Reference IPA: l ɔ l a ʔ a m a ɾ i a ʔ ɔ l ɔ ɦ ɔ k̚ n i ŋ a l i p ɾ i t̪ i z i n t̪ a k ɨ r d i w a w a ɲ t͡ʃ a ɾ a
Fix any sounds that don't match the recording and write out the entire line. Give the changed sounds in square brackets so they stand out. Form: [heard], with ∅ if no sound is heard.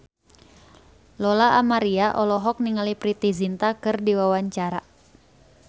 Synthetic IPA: l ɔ l a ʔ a m a ɾ i a ʔ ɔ l ɔ ɦ ɔ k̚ n i ŋ a l i p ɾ i t̪ i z i n t̪ a k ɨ r d i w a w a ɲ t͡ʃ a ɾ a